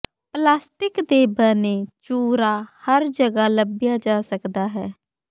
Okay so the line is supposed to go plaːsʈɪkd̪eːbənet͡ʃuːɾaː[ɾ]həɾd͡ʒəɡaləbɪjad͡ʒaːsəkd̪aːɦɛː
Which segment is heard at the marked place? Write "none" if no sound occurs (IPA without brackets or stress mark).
none